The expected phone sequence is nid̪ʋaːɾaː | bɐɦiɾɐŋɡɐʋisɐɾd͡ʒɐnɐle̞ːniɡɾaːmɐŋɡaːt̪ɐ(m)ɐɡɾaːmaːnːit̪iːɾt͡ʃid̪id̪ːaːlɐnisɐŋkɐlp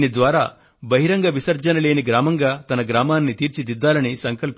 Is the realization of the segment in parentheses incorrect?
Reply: yes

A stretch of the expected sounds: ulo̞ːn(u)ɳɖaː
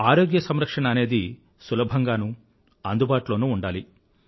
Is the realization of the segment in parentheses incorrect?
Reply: yes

